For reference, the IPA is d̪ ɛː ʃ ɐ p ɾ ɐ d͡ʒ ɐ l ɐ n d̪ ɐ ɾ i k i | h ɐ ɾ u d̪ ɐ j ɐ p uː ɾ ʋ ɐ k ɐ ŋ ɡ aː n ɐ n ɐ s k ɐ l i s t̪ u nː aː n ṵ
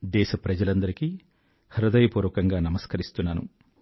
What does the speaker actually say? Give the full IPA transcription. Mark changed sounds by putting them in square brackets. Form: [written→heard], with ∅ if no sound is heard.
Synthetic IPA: d̪ ɛː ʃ ɐ p ɾ ɐ d͡ʒ ɐ l ɐ n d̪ ɐ ɾ i k i | h ɐ ɾ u d̪ ɐ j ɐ p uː ɾ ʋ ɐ k ɐ ŋ ɡ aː n ɐ [n→m] ɐ s k ɐ [l→ɾ] i s t̪ u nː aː n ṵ